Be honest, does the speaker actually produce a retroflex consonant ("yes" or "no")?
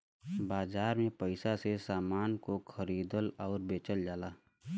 no